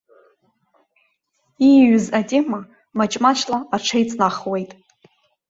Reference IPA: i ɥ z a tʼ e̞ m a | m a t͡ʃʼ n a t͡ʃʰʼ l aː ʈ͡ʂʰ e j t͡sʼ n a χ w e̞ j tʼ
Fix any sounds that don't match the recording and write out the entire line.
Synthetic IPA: i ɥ z a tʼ e̞ m a | m a t͡ʃʼ m a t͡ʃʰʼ l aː ʈ͡ʂʰ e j t͡sʼ n a χ w e̞ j tʼ